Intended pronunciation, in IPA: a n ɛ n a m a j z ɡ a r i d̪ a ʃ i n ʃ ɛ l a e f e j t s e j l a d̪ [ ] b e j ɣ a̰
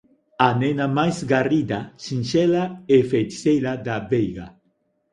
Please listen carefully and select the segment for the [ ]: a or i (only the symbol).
a